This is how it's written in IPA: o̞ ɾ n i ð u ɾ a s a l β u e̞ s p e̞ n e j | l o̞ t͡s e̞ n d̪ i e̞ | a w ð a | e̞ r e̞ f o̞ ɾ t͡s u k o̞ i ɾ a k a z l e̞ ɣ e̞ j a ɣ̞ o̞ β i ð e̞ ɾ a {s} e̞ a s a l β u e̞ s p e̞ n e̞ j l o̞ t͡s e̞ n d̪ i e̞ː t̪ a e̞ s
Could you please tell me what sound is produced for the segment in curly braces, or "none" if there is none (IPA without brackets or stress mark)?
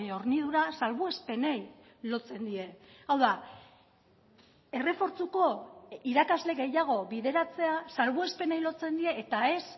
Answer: t͡s